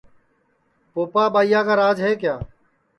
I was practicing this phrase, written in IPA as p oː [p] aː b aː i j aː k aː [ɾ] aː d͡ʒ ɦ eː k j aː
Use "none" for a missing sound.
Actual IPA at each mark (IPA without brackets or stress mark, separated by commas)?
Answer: p, ɾ